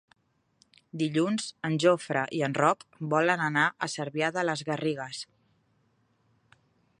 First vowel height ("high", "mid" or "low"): high